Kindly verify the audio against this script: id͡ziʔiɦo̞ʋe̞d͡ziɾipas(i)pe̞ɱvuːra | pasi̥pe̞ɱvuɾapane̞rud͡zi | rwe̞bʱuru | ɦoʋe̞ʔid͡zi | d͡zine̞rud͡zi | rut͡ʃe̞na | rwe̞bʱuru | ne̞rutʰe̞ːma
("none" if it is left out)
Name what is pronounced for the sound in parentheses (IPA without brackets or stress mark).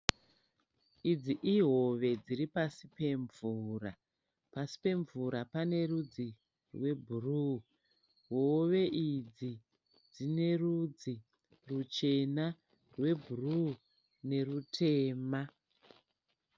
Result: i